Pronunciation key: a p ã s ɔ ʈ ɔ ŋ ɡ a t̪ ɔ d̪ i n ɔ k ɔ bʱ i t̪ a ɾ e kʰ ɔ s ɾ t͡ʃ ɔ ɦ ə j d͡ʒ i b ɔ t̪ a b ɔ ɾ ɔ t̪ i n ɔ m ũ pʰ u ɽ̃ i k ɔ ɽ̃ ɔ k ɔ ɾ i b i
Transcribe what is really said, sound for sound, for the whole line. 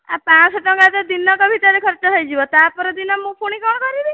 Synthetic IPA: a p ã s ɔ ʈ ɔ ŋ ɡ a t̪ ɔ d̪ i n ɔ k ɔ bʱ i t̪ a ɾ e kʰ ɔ ɾ t͡ʃ ɔ ɦ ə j d͡ʒ i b ɔ t̪ a p ɔ ɾ ɔ d̪ i n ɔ m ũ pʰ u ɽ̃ i k ɔ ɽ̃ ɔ k ɔ ɾ i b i